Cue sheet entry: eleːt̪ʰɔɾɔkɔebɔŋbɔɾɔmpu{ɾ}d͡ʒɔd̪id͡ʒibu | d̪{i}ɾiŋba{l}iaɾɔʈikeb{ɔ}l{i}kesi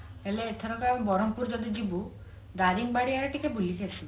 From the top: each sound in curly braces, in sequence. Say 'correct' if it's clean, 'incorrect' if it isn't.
correct, incorrect, incorrect, incorrect, correct

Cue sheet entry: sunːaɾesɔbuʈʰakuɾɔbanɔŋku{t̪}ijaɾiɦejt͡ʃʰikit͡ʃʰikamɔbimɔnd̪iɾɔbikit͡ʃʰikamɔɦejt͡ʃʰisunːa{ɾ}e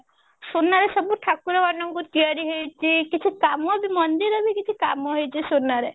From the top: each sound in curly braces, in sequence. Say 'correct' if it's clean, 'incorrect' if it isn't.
correct, correct

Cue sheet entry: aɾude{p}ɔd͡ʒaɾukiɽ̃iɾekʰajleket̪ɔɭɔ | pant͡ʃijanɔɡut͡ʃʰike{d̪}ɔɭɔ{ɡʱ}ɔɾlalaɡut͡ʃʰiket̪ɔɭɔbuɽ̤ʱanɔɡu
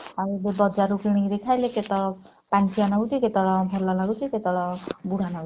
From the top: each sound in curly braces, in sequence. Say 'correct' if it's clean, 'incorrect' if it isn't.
incorrect, incorrect, incorrect

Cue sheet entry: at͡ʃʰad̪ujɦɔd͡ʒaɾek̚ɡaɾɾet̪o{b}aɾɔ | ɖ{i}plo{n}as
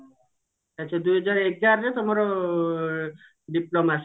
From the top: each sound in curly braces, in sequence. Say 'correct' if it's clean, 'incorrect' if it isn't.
incorrect, correct, incorrect

